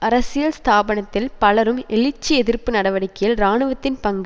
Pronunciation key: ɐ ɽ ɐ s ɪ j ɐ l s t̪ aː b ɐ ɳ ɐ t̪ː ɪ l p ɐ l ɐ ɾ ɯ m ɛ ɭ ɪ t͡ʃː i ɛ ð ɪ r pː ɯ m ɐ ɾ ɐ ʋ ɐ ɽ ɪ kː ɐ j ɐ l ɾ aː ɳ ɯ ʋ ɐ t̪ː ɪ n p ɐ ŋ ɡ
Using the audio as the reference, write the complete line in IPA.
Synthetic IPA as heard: ɐ ɾ ɐ s ɪ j ɐ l s t̪ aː b ɐ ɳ ɐ t̪ː ɪ l p ɐ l ɐ ɾ ɯ m ɛ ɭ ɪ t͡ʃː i ɛ ð ɪ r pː ɯ n ɐ ɽ ɐ ʋ ɐ ɽ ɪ kː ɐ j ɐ l ɾ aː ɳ ɯ ʋ ɐ t̪ː ɪ n p ɐ ŋ ɡ